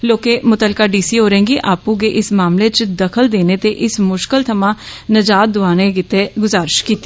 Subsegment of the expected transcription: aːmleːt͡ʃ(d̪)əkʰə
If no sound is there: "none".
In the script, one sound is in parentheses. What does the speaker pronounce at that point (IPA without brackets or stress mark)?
d̪